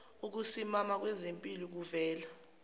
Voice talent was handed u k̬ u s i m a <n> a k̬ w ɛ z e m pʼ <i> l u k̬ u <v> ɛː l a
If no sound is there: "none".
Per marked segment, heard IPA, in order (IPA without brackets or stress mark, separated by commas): m, i, v